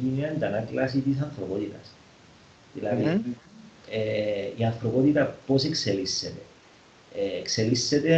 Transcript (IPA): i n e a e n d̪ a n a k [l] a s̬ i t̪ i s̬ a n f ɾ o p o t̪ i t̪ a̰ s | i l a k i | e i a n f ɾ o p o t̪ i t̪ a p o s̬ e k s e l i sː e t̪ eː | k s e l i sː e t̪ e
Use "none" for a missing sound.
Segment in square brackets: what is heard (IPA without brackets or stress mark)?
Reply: l